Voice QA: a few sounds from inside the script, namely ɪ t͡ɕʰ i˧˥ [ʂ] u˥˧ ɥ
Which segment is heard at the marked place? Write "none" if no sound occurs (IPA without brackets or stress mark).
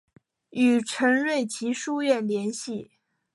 ʂ